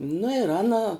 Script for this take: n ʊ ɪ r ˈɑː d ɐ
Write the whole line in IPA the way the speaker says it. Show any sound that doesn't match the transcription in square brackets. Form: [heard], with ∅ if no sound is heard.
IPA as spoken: n ʊ ɪ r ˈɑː [n] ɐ